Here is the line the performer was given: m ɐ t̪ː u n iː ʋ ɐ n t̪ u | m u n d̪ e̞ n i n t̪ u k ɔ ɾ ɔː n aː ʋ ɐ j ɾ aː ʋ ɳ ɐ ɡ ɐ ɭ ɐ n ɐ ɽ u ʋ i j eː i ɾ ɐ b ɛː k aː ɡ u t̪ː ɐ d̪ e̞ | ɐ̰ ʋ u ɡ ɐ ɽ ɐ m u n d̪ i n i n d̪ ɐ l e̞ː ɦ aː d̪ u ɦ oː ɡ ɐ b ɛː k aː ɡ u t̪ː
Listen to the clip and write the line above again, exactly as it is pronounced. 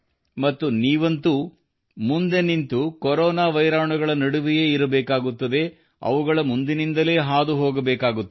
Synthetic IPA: m ɐ t̪ː u n iː ʋ ɐ n t̪ u | m u n d̪ e̞ n i n t̪ u k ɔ ɾ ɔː n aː ʋ ɐ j ɾ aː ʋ ɳ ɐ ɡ ɐ ɭ ɐ n ɐ ɽ u ʋ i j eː i ɾ ɐ b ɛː k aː ɡ u t̪ː ɐ d̪ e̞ | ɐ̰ ʋ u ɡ ɐ ɭ ɐ m u n d̪ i n i n d̪ ɐ l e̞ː ɦ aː d̪ u ɦ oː ɡ ɐ b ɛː k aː ɡ u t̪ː